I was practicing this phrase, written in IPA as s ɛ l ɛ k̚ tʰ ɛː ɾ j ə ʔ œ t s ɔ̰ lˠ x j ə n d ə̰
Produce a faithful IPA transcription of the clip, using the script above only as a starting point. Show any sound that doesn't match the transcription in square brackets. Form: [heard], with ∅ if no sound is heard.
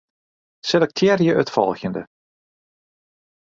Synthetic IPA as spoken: s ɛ l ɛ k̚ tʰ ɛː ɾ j ə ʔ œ t [f] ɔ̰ lˠ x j ə n d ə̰